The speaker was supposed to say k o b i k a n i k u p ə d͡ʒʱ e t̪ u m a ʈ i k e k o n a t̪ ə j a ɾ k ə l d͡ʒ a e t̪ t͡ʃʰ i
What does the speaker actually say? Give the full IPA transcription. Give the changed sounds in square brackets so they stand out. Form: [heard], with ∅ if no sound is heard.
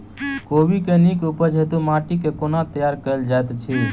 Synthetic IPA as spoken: k o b i k [e] n i k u p ə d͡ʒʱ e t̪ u m a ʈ i k e k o n a t̪ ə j a ɾ k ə l d͡ʒ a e t̪ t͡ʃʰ i